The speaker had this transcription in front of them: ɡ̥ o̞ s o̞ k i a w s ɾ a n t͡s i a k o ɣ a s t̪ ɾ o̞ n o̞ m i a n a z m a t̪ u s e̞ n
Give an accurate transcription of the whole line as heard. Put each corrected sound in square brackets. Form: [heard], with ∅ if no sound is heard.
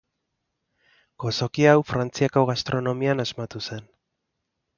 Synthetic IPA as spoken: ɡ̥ o̞ s o̞ k i a w [f] ɾ a n t͡s i a k o ɣ a s t̪ ɾ o̞ n o̞ m i a n a z m a t̪ u s e̞ n